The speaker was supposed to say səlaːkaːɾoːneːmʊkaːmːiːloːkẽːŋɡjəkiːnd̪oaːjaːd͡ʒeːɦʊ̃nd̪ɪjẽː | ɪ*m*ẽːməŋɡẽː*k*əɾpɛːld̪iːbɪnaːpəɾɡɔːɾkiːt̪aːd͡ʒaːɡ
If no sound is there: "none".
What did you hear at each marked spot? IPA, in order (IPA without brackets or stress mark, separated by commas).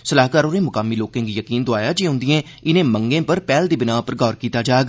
n, p